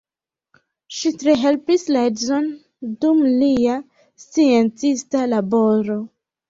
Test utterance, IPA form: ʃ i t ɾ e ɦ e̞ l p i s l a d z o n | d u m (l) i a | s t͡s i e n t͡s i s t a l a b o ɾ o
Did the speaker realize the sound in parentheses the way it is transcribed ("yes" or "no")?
yes